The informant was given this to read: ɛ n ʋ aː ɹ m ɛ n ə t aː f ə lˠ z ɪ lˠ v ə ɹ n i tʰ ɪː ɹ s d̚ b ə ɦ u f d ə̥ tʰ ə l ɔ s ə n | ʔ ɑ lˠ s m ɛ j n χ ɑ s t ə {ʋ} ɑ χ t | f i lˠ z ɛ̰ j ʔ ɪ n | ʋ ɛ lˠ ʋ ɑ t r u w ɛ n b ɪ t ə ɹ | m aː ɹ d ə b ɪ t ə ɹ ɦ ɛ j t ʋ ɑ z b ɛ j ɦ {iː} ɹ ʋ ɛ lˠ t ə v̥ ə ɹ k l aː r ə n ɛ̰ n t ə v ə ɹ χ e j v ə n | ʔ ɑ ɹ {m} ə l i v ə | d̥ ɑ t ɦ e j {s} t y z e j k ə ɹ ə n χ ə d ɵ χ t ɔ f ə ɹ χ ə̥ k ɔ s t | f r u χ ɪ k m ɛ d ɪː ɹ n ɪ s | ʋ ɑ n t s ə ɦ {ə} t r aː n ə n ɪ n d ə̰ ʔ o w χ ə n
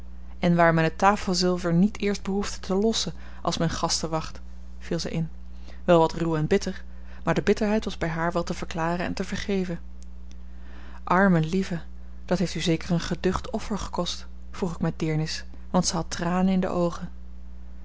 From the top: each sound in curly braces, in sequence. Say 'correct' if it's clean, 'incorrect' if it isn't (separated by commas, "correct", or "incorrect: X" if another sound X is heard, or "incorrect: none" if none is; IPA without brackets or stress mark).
correct, incorrect: aː, correct, incorrect: f, incorrect: ɑ